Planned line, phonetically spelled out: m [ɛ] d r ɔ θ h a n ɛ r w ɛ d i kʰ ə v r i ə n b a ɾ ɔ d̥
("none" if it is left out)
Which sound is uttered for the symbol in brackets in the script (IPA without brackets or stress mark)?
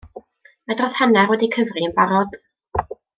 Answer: a